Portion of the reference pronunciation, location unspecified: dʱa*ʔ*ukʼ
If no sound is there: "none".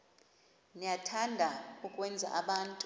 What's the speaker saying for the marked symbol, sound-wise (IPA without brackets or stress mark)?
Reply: none